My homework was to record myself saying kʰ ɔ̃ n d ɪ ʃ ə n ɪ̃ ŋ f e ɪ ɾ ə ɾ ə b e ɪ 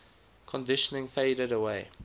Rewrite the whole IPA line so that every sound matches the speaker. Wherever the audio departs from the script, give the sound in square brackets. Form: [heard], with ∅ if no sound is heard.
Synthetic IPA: kʰ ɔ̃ n d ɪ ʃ ə n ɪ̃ ŋ f e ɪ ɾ ə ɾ ə [w] e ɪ